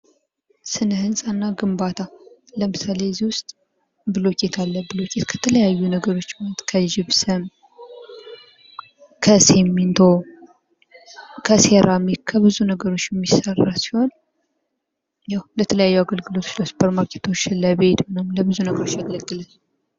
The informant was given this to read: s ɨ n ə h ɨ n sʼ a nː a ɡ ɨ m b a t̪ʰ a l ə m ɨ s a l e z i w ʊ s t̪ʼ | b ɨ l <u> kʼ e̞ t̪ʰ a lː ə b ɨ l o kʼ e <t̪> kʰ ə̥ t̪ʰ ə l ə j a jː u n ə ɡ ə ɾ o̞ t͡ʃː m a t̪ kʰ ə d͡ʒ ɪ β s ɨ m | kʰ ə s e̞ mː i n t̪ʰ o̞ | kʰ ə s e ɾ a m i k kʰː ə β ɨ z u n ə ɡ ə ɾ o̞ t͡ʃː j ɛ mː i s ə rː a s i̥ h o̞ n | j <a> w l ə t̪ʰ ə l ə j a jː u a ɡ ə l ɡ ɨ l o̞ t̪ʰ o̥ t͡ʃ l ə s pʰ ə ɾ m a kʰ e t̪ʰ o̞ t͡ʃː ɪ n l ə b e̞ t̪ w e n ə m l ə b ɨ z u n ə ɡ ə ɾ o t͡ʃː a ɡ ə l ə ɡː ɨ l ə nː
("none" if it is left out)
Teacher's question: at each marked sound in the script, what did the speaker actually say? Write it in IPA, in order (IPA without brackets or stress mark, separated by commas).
o, t̪, a